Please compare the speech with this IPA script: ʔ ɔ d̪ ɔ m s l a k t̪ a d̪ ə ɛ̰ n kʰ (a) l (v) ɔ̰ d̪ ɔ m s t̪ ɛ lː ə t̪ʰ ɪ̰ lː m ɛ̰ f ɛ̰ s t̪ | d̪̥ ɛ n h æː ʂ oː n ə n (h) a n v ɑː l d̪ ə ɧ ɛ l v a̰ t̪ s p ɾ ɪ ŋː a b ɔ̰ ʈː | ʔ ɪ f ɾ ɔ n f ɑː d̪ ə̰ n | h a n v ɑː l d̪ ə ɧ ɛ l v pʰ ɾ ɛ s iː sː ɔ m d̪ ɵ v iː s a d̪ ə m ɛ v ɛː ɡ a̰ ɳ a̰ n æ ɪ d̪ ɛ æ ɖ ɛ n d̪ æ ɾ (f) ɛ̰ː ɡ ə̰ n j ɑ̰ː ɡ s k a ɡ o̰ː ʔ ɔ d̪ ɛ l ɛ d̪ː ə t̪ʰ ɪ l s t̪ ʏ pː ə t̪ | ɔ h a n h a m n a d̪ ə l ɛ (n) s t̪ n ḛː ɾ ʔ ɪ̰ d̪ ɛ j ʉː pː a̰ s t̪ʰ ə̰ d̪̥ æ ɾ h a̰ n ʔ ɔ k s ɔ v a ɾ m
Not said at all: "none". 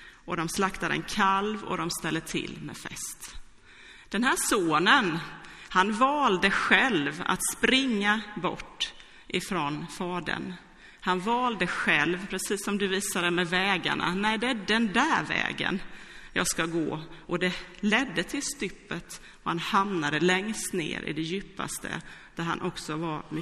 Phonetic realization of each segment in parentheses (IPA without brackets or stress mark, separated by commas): a, v, h, v, ŋ